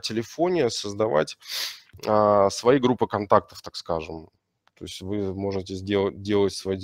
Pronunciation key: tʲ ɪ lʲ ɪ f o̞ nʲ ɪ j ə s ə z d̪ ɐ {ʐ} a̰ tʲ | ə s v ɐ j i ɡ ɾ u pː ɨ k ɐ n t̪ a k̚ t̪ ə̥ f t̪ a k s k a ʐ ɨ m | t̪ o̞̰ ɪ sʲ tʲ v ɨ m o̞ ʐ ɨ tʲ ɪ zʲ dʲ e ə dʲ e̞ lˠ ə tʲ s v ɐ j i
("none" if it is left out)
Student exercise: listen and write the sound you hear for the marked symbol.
v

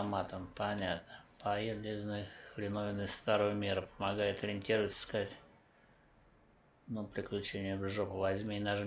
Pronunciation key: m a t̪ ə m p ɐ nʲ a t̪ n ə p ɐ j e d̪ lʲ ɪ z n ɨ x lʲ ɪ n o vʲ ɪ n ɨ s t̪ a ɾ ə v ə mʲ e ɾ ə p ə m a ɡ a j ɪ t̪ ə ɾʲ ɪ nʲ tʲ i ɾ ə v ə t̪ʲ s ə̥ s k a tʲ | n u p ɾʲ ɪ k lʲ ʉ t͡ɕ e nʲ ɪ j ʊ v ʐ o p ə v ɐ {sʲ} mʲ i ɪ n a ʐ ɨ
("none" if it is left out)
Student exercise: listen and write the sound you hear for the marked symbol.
zʲ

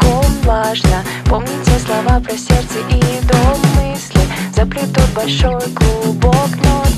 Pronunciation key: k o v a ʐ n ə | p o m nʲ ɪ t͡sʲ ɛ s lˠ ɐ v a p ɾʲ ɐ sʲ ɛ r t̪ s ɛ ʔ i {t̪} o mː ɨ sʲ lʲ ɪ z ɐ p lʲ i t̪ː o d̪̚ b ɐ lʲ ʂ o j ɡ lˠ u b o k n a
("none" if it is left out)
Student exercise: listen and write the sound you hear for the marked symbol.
d̪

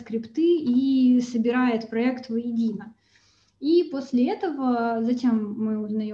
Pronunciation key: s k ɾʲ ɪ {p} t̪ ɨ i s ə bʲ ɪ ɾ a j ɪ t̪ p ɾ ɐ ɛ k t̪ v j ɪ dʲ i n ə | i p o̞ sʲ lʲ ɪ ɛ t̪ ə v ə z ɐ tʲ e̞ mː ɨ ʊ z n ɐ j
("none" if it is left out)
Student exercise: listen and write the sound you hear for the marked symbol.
p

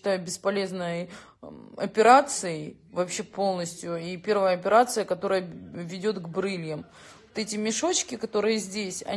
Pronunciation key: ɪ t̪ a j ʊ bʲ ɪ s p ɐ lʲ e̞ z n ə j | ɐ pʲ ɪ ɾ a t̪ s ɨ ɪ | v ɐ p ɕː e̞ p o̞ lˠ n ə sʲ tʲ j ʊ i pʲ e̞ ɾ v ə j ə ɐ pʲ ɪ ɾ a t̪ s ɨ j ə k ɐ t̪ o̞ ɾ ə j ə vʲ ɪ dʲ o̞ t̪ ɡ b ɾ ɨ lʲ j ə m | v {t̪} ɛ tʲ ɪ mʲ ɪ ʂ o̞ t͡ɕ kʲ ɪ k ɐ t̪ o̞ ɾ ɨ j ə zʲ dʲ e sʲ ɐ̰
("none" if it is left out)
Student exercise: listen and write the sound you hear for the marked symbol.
t̪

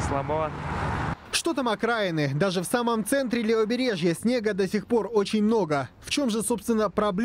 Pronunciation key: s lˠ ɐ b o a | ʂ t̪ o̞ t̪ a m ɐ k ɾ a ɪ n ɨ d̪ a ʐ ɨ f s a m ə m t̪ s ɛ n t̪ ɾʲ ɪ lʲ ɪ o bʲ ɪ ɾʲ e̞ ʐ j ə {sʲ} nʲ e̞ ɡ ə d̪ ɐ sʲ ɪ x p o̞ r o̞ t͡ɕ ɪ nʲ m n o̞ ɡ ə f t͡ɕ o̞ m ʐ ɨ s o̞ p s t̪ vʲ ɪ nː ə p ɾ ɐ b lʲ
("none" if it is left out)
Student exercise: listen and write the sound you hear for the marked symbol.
sʲ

